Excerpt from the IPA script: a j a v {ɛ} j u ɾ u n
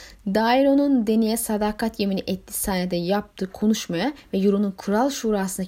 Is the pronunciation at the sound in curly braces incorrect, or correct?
correct